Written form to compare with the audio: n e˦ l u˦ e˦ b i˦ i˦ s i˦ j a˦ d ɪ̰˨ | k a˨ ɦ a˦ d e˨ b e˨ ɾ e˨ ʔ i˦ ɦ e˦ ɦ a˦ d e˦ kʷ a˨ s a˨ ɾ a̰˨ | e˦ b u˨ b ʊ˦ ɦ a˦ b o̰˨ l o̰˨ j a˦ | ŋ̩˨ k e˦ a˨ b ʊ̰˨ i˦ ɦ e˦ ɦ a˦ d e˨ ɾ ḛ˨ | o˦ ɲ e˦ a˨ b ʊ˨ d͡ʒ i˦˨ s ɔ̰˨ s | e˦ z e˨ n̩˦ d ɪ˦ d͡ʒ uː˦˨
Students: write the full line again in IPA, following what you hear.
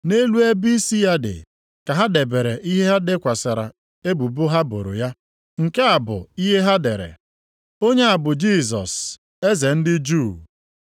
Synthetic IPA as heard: n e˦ l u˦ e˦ b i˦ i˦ s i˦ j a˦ d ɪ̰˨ | k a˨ ɦ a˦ d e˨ b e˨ ɾ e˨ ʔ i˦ ɦ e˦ ɦ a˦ d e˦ kʷ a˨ s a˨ ɾ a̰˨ | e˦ b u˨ b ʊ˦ ɦ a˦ b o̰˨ ɾ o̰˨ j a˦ | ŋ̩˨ k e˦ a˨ b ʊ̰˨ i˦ ɦ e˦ ɦ a˦ d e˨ ɾ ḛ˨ | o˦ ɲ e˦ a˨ b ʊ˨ d͡ʒ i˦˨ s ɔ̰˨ s | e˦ z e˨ n̩˦ d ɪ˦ d͡ʒ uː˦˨